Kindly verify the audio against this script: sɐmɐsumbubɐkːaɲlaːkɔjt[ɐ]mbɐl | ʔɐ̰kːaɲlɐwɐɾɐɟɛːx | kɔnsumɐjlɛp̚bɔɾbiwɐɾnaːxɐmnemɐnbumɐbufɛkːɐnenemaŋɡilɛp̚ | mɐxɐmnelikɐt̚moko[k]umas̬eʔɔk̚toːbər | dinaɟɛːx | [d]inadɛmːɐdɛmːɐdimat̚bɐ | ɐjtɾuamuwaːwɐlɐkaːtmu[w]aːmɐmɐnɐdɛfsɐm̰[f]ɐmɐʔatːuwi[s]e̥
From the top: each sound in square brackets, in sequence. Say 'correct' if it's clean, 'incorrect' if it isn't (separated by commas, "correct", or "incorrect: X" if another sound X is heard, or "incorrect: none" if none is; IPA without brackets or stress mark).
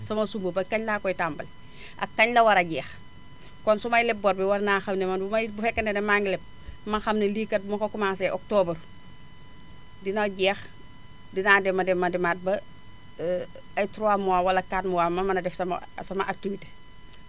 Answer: incorrect: a, correct, correct, correct, incorrect: s, incorrect: t